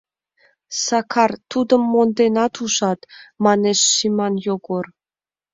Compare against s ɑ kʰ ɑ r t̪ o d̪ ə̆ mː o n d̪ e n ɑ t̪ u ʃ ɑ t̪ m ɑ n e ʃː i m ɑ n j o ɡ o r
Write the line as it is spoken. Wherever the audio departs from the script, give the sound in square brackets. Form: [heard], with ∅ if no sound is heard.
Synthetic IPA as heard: s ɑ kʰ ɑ r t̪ [u] d̪ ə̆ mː o n d̪ e n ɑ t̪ u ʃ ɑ t̪ m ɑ n e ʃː i m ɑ n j o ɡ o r